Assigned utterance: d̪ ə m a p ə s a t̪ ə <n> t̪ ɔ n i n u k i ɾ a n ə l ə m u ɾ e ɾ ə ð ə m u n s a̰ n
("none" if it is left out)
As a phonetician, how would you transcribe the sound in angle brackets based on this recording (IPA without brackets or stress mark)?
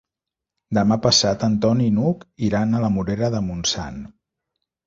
n